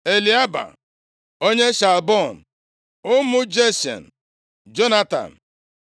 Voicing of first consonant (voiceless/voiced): voiced